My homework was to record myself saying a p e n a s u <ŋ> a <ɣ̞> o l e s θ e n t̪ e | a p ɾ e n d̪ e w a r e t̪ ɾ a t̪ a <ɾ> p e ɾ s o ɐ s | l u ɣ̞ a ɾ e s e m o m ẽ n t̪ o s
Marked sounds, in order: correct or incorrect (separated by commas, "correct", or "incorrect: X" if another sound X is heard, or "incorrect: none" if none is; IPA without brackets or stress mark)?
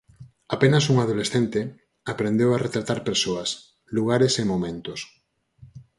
correct, incorrect: ð̞, correct